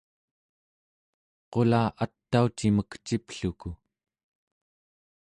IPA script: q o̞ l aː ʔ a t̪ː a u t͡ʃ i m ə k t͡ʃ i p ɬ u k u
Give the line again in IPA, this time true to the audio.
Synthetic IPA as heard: q o̞ l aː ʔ a t̪ː a u t͡ʃ i m ə k t͡ʃ i p ɬ u k u